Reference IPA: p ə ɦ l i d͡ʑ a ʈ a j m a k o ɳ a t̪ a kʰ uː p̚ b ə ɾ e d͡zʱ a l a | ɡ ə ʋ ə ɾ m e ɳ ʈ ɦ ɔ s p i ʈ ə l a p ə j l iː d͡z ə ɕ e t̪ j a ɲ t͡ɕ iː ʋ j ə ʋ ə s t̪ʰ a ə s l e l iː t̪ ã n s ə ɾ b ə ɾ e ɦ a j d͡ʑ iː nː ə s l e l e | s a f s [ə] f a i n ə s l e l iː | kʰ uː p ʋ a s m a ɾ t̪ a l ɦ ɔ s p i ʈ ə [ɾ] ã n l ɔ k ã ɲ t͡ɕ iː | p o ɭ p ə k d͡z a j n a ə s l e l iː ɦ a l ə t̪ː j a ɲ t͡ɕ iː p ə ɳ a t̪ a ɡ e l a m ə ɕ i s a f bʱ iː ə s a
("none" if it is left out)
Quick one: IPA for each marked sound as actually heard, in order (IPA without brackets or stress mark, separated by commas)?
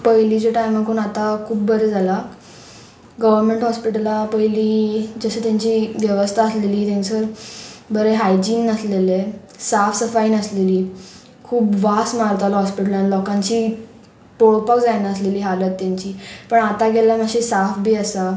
ə, l